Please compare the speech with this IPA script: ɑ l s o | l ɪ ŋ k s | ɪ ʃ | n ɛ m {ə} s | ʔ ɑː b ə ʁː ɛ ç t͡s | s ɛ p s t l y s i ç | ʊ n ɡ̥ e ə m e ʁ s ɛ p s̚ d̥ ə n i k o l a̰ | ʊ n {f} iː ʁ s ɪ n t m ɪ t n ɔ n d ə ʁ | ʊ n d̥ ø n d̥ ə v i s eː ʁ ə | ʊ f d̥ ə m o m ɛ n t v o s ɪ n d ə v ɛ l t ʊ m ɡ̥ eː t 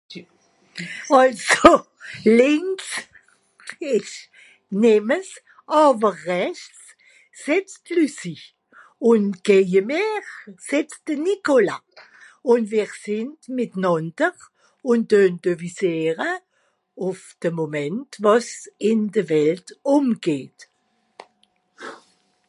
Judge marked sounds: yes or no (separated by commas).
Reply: yes, no